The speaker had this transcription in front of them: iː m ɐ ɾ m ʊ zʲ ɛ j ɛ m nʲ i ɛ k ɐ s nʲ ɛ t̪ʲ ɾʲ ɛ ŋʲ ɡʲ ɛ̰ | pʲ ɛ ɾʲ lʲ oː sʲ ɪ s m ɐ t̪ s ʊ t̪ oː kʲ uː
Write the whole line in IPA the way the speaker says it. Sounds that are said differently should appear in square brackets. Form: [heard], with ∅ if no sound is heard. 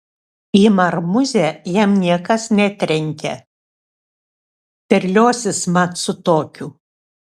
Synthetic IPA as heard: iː m ɐ ɾ m ʊ zʲ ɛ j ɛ m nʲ i ɛ k ɐ s nʲ ɛ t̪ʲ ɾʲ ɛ ŋʲ [kʲ] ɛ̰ | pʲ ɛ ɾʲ lʲ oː sʲ ɪ s m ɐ t̪ s ʊ t̪ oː kʲ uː